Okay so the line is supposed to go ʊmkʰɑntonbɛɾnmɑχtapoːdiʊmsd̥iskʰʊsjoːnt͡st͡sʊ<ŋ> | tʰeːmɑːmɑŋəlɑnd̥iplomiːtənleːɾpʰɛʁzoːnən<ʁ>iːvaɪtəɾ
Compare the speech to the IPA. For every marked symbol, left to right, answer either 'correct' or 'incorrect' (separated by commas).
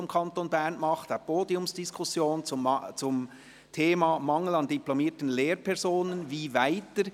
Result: incorrect, incorrect